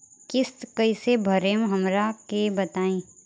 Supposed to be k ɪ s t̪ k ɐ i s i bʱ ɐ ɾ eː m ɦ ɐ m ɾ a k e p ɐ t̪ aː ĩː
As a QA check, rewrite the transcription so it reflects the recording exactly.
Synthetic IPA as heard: k ɪ s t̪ k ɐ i s e bʱ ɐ ɾ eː m ɦ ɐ m ɾ a k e b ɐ t̪ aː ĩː